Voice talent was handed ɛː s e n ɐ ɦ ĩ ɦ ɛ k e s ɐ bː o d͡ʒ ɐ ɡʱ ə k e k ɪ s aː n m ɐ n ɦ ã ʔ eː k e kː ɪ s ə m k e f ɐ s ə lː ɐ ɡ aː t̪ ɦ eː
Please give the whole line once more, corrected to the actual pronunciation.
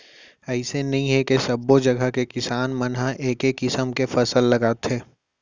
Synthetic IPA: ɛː s e n ɐ ɦ ĩ ɦ ɛ k e s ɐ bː o d͡ʒ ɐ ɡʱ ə k e k ɪ s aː n m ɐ n ɦ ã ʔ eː k e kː ɪ s ə m k e f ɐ s ə lː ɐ ɡ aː t̪ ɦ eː